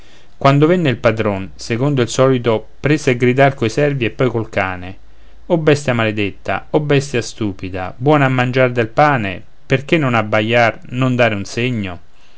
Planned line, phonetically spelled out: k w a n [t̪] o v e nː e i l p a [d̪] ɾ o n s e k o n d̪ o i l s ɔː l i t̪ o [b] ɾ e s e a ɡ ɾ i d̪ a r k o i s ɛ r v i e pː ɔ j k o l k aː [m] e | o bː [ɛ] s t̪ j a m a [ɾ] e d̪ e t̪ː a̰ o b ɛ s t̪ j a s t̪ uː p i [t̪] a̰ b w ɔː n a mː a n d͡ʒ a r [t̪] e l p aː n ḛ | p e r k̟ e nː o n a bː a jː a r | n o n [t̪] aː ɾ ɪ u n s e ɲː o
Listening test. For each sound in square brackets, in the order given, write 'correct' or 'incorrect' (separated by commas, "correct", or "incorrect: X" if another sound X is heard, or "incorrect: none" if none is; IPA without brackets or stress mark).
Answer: incorrect: d̪, correct, incorrect: p, incorrect: n, correct, incorrect: l, incorrect: d̪, incorrect: d̪, incorrect: d̪